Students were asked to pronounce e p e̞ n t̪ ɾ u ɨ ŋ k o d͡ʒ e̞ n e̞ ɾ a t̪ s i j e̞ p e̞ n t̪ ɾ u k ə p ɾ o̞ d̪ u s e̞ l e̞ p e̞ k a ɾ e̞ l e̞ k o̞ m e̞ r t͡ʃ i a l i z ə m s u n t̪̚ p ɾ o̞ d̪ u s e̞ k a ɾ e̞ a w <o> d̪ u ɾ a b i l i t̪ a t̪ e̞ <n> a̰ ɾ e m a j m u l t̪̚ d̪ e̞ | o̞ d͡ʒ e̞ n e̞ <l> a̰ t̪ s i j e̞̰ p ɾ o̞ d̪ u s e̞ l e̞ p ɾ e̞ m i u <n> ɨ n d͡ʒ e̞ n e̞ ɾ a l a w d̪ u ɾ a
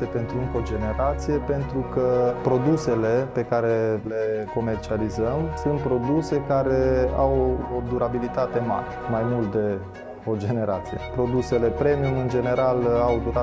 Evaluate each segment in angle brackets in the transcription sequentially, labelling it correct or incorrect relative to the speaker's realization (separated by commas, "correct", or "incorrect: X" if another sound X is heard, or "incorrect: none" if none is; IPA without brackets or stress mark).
correct, incorrect: m, incorrect: ɾ, incorrect: m